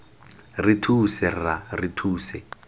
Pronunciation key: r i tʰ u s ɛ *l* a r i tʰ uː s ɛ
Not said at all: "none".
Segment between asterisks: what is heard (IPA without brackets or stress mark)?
r